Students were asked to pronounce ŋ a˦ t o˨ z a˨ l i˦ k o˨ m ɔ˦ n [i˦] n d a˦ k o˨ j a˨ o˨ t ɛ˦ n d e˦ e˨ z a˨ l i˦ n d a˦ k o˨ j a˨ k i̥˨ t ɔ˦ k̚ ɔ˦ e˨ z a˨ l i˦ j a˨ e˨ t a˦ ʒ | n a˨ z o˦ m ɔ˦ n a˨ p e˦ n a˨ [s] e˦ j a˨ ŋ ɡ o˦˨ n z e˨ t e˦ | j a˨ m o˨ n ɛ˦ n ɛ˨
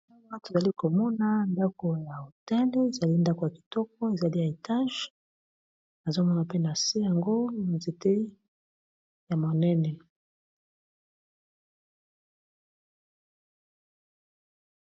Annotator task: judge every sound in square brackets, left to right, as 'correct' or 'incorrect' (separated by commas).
incorrect, correct